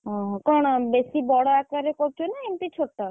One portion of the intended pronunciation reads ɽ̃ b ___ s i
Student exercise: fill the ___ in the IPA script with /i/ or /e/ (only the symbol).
e